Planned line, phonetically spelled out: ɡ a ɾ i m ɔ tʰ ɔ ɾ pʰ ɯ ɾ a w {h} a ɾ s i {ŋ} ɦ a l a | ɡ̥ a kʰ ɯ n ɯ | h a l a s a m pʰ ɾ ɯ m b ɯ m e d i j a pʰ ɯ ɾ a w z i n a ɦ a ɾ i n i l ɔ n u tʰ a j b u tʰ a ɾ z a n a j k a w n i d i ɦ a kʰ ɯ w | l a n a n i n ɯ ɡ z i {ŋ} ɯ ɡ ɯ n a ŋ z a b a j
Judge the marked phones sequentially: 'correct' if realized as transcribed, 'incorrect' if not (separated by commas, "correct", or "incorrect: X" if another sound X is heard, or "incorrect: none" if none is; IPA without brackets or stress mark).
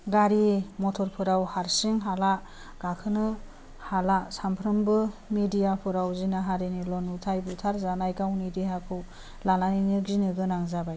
correct, correct, incorrect: n